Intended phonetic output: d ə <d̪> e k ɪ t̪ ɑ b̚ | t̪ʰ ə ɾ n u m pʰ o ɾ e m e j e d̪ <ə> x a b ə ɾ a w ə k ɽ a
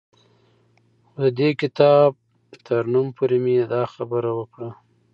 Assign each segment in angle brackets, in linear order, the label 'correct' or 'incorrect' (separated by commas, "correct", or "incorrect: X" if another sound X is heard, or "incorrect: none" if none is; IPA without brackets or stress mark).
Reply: correct, incorrect: ɑ